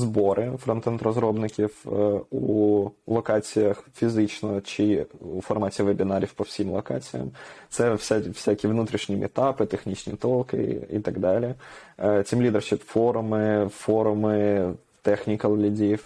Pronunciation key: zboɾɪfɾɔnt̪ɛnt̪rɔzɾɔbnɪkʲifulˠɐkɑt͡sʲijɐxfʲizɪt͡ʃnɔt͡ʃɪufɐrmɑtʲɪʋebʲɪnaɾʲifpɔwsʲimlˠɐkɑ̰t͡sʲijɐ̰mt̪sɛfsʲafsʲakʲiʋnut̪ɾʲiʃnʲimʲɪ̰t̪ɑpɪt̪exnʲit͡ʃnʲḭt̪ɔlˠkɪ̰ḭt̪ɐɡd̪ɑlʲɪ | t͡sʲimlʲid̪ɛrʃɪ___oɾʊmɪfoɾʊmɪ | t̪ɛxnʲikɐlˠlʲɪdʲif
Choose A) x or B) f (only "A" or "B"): B